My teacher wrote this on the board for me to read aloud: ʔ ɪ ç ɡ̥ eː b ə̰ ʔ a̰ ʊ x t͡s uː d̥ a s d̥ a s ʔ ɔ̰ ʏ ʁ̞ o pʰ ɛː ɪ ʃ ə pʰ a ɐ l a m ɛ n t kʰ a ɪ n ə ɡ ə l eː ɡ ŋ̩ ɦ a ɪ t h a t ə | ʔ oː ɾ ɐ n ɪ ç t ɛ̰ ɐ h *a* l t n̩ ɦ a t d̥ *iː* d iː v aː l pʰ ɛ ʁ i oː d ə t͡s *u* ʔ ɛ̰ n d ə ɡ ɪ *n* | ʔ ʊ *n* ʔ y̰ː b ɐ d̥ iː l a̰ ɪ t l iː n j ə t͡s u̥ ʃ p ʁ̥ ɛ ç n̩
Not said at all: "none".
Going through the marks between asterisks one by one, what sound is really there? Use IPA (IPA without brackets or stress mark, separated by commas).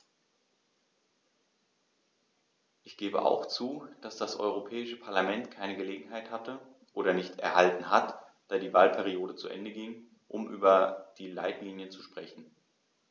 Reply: a, aː, u, ŋ, m